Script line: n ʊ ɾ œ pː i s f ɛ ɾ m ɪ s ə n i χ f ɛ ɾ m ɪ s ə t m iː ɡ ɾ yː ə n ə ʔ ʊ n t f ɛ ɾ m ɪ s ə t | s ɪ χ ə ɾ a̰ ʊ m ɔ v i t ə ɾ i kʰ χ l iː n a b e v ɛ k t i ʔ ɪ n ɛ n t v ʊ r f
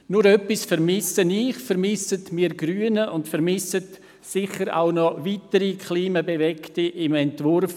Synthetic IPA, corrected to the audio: n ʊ ɾ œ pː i s f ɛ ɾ m ɪ s ə n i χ f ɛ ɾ m ɪ s ə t m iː ɡ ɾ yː ə n ə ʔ ʊ n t f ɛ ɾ m ɪ s ə t | s ɪ χ ə ɾ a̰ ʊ n ɔ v i t ə ɾ i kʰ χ l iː m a b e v ɛ k t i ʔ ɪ m ɛ n t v ʊ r f